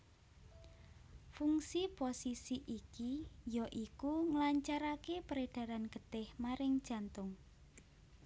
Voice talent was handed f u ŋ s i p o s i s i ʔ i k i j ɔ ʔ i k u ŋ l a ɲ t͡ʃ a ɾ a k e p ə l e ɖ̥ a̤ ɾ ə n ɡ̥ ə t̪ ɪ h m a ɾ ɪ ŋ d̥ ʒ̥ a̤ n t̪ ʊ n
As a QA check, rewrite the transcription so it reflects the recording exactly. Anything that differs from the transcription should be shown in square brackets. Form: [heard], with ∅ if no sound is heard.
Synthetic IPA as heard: f u ŋ s i p o s i s i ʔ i k i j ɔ ʔ i k u ŋ l a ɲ t͡ʃ a ɾ a k e p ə [ɾ] e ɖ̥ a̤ ɾ [a] n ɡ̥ ə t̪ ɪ h m a ɾ ɪ ŋ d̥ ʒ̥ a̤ n t̪ ʊ [ŋ]